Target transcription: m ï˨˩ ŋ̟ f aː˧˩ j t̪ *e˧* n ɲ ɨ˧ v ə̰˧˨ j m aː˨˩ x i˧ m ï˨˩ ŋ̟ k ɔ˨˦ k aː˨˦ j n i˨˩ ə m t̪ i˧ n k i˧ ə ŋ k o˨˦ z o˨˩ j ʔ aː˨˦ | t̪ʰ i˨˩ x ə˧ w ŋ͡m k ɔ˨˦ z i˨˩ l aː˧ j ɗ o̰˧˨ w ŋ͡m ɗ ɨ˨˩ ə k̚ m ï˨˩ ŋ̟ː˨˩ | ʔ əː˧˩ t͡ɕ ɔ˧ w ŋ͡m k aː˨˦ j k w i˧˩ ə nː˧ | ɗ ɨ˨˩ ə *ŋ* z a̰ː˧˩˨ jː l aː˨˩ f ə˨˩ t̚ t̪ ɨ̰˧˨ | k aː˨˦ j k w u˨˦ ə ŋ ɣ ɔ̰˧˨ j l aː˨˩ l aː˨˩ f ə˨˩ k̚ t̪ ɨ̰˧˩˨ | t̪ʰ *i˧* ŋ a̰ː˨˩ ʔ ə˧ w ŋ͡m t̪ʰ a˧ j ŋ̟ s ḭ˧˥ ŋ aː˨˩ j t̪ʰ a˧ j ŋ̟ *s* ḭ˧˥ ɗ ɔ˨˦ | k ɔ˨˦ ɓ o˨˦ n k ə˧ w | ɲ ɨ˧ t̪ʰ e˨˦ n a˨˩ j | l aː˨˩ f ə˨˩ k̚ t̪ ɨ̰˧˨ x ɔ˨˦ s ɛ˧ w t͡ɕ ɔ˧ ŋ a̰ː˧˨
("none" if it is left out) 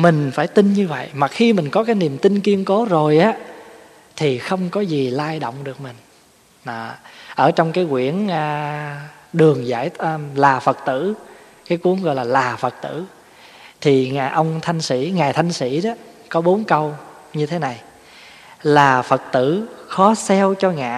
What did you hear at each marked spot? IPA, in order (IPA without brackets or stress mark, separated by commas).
i˧, ŋ, i˨˩, s